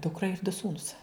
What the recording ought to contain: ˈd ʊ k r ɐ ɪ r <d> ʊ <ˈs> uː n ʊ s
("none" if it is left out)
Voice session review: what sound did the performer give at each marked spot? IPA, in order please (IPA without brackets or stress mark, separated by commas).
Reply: d, s